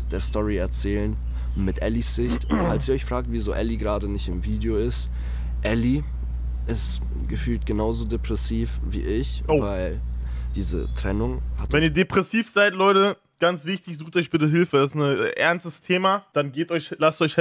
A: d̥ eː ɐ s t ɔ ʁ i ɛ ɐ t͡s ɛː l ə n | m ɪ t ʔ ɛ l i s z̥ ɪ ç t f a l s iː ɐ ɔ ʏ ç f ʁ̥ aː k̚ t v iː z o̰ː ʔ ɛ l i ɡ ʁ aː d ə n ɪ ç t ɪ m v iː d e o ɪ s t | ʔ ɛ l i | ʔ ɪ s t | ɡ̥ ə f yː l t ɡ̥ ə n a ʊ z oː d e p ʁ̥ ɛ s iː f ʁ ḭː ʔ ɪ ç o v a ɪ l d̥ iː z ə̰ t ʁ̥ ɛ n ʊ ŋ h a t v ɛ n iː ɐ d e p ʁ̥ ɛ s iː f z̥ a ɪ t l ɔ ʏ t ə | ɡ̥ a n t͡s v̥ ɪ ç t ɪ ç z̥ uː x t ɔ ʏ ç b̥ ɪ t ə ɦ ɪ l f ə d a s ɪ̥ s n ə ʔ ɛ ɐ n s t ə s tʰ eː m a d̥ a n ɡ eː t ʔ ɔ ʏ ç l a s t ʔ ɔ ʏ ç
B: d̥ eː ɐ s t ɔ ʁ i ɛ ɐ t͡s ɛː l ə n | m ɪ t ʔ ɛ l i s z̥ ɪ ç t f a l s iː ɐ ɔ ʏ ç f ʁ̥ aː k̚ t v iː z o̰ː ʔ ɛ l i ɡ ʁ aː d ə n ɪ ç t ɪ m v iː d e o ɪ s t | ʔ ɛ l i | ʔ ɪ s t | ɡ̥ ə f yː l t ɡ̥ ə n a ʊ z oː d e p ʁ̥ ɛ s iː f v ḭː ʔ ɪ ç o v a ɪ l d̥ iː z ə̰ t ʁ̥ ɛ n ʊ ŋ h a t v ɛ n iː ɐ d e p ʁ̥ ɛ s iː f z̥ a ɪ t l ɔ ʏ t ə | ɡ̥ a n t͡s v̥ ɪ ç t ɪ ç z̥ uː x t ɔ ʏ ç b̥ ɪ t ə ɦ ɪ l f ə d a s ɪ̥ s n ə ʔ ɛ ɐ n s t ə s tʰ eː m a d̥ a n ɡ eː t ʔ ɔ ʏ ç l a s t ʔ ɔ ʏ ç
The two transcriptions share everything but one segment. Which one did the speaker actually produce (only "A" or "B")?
B